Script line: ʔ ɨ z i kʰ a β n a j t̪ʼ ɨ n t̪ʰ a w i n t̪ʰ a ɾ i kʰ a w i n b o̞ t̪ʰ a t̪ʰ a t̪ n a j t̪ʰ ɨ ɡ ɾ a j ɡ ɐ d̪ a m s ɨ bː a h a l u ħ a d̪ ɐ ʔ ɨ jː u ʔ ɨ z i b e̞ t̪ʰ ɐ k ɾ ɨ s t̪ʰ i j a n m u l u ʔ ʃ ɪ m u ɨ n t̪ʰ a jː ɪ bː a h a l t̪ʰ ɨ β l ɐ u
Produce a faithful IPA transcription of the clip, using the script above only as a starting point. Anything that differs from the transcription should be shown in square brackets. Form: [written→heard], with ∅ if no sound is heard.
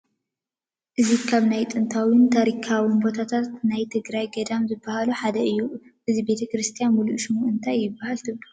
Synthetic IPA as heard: ʔ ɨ z i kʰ a β n a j t̪ʼ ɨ n t̪ʰ a w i n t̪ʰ a ɾ i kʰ a w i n b o̞ t̪ʰ a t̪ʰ a t̪ n a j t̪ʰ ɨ ɡ ɾ a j ɡ ɐ d̪ a m [s→z] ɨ bː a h a l u ħ a d̪ ɐ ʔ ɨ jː u ʔ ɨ z i b e̞ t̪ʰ ɐ k ɾ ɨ s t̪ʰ i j a n m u l u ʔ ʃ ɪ m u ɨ n t̪ʰ a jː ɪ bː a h a l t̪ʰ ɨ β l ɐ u